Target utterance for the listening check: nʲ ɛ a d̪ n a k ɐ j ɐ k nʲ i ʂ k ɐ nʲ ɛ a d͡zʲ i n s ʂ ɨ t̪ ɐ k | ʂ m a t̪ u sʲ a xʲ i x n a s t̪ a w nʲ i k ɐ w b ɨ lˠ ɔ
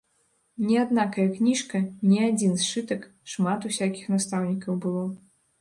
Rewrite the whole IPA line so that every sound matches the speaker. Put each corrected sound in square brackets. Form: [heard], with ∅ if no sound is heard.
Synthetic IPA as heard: nʲ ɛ a d̪ n a k ɐ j ɐ k nʲ i ʂ k ɐ nʲ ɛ a d͡zʲ i n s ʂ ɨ t̪ ɐ k | ʂ m a t̪ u sʲ a [kʲ] i x n a s t̪ a w nʲ i k ɐ w b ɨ lˠ ɔ